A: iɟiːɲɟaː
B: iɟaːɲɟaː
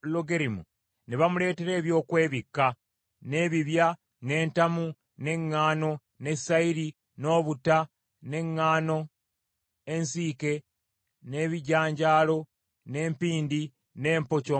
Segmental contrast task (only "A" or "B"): B